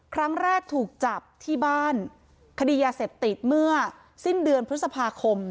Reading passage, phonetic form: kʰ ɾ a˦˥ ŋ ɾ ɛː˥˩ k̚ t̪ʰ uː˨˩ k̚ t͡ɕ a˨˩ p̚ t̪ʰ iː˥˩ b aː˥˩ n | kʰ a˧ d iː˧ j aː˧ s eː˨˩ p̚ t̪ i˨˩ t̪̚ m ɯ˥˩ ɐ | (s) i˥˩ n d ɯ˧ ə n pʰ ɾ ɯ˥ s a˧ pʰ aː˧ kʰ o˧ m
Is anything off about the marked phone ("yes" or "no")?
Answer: no